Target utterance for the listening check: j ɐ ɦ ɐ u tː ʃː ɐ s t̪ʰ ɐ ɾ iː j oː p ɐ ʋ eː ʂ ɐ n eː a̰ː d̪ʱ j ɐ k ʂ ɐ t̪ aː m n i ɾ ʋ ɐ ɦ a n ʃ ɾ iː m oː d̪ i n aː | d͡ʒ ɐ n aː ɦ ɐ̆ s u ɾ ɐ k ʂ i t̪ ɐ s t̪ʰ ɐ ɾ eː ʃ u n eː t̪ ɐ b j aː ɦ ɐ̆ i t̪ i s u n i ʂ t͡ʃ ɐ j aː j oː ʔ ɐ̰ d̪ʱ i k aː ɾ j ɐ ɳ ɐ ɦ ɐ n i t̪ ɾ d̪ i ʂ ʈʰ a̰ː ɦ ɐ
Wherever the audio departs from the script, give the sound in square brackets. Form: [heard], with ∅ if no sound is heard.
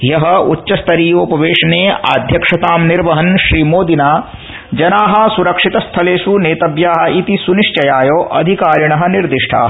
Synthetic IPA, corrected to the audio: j ɐ ɦ ɐ u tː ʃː ɐ s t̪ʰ ɐ ɾ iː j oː p ɐ ʋ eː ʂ ɐ n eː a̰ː d̪ʱ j ɐ k ʂ ɐ t̪ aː m n i ɾ ʋ ɐ ɦ [ɐ] n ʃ ɾ iː m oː d̪ i n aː | d͡ʒ ɐ n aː ɦ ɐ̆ s u ɾ ɐ k ʂ i t̪ ɐ s t̪ʰ ɐ [l] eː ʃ u n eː t̪ ɐ b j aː ɦ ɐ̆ i t̪ i s u n i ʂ t͡ʃ ɐ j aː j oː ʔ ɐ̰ d̪ʱ i k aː ɾ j ɐ ɳ ɐ ɦ ɐ n i [∅] ɾ d̪ i ʂ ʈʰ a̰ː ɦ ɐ